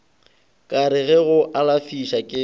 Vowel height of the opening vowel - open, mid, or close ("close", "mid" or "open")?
open